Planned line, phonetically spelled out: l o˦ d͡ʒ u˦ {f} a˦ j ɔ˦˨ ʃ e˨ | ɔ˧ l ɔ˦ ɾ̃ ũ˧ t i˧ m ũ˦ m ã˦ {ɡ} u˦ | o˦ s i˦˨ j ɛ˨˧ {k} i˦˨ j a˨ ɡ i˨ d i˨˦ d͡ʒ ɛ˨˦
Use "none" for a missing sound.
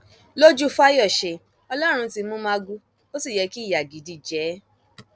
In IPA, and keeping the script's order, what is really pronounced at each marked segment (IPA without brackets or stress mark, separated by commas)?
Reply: f, ɡ, k